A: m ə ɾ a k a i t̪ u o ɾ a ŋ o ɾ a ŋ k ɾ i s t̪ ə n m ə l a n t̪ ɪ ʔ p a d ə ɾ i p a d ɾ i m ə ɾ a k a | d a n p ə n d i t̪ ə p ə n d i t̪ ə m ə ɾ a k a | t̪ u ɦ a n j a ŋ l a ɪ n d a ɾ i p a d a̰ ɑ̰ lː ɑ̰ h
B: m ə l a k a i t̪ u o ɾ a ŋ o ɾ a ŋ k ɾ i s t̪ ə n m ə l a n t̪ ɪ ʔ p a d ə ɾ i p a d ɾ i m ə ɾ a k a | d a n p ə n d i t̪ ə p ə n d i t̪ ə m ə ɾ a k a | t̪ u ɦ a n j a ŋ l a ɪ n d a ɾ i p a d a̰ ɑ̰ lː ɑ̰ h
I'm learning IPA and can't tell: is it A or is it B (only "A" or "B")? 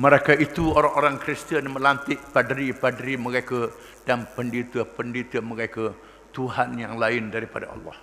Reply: A